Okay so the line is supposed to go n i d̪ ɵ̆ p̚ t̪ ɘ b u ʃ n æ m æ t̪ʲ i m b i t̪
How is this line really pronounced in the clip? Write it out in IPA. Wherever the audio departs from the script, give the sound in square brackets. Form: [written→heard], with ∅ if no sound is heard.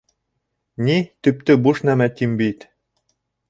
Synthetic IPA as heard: n i [d̪→t̪] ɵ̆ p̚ t̪ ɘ b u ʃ n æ m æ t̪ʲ i m b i t̪